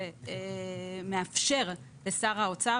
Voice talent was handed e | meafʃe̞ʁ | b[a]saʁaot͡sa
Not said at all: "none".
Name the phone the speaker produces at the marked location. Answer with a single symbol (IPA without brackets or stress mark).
e